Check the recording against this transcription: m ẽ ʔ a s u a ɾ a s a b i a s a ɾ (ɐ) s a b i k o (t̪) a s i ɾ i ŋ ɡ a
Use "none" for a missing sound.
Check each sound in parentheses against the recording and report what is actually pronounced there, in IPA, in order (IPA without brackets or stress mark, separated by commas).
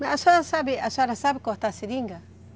a, t̪